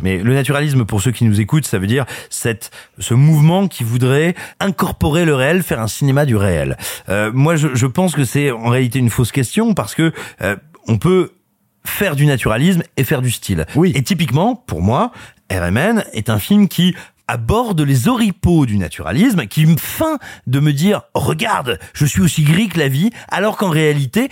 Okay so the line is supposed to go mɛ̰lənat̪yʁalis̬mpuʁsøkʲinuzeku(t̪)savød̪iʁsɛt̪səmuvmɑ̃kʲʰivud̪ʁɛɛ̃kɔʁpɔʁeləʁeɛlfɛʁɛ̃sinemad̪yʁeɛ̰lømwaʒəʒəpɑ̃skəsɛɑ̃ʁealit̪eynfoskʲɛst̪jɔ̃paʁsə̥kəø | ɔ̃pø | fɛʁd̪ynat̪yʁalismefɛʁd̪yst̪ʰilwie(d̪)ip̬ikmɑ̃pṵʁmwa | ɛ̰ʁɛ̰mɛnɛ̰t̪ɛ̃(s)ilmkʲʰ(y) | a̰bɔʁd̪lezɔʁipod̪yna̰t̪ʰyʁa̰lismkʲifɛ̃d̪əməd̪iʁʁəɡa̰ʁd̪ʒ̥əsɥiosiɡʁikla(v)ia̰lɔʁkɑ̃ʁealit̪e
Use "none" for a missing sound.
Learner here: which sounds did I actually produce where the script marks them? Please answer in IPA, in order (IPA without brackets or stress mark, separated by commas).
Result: t̪, t̪, f, i, v